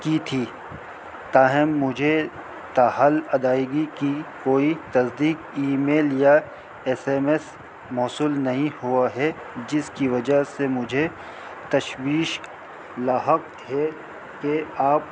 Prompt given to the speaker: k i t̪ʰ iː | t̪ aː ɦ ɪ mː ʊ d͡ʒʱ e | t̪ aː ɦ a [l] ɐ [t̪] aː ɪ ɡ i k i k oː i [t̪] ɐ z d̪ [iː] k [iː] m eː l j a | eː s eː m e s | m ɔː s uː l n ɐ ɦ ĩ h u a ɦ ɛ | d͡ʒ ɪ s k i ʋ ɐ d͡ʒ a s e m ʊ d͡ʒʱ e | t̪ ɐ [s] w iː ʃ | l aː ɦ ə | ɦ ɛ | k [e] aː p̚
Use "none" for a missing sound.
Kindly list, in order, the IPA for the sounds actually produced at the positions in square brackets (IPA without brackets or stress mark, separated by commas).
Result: l, d̪, t̪, iː, iː, ʃ, e